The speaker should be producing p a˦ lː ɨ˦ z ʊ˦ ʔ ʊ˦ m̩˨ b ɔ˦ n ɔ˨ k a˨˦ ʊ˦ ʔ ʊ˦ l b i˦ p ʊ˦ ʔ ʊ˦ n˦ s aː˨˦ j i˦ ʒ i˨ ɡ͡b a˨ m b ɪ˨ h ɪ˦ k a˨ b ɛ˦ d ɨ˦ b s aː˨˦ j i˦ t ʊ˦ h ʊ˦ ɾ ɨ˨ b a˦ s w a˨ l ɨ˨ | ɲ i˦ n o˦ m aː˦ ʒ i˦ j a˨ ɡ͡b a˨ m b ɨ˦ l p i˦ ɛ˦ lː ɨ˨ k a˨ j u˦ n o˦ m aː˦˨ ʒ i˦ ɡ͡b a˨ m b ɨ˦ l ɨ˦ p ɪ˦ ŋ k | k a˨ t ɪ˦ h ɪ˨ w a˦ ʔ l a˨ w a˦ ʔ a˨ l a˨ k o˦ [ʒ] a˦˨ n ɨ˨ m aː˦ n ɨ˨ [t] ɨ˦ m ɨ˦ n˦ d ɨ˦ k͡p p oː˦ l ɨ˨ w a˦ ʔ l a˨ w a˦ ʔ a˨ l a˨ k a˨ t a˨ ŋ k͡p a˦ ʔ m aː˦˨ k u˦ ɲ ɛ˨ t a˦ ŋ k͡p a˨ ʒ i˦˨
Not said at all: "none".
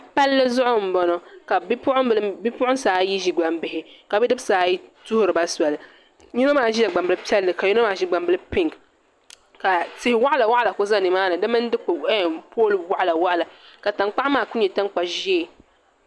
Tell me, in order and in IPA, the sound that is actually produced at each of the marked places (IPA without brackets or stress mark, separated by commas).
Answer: z, d